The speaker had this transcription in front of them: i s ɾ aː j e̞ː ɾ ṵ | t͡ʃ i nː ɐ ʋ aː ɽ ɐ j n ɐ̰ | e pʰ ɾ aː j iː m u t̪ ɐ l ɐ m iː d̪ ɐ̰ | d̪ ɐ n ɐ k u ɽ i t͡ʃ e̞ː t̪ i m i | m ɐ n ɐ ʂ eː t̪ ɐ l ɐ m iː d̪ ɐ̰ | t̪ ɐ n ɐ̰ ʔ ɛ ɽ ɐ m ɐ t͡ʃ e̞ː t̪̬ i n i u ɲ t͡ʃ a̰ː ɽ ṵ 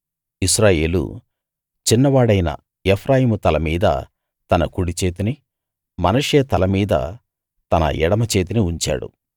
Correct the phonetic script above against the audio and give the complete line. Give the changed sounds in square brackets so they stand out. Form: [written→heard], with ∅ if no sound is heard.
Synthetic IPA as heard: i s ɾ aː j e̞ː [ɾ→l] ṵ | t͡ʃ i nː ɐ ʋ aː ɽ ɐ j n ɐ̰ | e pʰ ɾ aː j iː m u t̪ ɐ l ɐ m iː d̪ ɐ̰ | [d̪→t̪] ɐ n ɐ k u ɽ i t͡ʃ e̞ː t̪ i [m→n] i | m ɐ n ɐ ʂ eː t̪ ɐ l ɐ m iː d̪ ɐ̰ | t̪ ɐ n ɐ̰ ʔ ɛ ɽ ɐ m ɐ t͡ʃ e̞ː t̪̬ i n i u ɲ t͡ʃ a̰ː ɽ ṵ